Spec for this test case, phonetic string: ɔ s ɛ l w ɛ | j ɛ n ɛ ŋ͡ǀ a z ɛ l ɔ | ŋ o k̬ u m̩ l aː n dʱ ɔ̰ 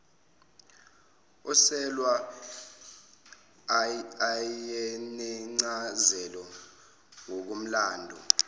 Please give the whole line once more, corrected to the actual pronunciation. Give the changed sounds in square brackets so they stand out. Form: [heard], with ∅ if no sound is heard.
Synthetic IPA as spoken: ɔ s ɛ l w [a] | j ɛ n ɛ ŋ͡ǀ a z ɛ l ɔ | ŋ o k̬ u m̩ l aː n dʱ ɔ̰